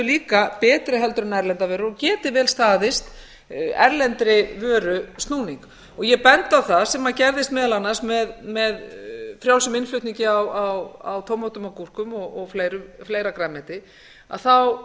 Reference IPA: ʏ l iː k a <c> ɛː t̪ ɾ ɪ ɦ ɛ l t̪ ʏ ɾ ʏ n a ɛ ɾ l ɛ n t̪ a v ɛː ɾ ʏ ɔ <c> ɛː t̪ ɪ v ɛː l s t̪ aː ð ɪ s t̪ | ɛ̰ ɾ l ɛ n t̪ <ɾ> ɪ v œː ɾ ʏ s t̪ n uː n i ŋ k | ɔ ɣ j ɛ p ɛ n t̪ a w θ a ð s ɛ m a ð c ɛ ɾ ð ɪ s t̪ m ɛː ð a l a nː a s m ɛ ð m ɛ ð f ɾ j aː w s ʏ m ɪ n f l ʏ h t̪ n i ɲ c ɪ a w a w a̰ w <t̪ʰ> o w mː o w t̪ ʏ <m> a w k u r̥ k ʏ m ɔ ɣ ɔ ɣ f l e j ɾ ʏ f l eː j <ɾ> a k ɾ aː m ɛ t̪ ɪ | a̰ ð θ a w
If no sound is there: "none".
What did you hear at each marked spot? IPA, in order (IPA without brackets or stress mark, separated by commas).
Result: p, c, ɾ, t̪ʰ, m, ɾ